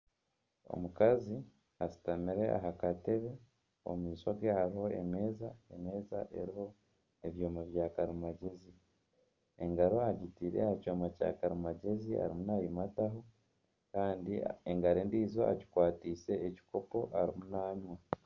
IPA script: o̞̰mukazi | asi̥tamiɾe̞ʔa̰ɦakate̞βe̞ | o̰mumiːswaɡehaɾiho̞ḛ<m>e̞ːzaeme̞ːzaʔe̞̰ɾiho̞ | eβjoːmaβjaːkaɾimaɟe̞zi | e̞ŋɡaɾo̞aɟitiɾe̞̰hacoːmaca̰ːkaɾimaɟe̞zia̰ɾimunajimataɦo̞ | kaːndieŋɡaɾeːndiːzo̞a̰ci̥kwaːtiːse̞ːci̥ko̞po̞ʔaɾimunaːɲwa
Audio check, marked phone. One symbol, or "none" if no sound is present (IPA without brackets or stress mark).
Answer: m